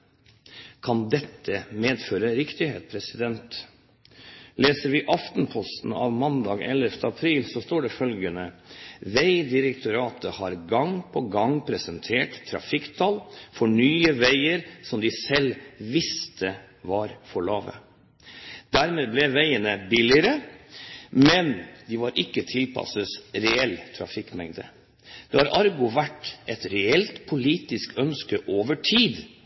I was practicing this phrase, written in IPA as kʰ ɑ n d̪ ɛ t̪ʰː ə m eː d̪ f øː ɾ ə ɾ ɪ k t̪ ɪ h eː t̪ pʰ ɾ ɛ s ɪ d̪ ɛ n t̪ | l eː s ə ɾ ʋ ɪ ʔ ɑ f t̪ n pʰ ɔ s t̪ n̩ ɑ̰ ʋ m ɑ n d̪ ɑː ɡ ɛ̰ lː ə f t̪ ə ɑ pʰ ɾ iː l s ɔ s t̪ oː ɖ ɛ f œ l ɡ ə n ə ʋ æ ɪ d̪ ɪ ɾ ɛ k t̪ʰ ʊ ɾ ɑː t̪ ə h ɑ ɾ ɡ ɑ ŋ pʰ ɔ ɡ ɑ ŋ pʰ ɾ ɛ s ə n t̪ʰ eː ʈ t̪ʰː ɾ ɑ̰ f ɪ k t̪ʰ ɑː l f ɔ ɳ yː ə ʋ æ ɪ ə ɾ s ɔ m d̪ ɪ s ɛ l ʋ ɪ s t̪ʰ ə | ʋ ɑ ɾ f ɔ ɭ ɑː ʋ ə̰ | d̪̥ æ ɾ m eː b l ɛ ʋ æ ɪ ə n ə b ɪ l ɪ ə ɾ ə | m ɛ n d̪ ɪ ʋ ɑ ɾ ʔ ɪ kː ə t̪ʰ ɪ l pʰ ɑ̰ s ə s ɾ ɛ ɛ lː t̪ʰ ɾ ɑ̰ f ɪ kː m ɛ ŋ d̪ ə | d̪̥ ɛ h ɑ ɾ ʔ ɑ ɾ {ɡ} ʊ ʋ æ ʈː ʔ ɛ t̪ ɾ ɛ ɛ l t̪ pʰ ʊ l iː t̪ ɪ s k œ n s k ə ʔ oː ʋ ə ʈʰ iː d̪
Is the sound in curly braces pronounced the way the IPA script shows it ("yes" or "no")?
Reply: yes